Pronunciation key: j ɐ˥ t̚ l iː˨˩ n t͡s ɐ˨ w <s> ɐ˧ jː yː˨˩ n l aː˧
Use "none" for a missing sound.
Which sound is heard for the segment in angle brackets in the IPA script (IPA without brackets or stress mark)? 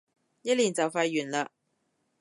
f